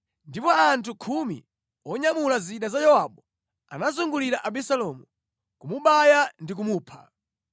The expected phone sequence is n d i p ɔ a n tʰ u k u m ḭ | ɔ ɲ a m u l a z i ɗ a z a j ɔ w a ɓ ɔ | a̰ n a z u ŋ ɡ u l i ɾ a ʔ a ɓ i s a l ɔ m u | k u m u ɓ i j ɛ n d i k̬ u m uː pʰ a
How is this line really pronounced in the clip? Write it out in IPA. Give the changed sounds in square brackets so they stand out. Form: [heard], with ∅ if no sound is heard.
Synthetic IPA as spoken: n d i p ɔ a n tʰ u [kʰ] u m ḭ | ɔ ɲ a m u l a z i ɗ a z a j ɔ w a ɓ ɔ | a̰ n a z u ŋ ɡ u l i ɾ a ʔ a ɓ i s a l ɔ m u | k u m u ɓ [a] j [a] n d i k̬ u m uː pʰ a